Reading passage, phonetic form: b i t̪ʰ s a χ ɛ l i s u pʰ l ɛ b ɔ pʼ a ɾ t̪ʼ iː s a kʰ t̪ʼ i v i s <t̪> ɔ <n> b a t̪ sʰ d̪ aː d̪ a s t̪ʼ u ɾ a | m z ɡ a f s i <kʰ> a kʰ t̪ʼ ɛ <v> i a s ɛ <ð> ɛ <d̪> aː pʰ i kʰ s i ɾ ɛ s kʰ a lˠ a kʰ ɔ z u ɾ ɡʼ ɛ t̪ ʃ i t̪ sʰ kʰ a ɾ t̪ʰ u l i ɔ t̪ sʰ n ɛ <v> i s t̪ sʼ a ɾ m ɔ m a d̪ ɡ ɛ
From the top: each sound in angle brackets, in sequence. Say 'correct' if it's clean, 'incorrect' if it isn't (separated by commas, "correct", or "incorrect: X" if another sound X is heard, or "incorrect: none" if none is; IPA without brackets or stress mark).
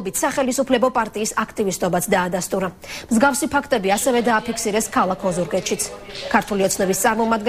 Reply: incorrect: t̪ʼ, incorrect: none, incorrect: pʰ, incorrect: b, incorrect: v, correct, incorrect: b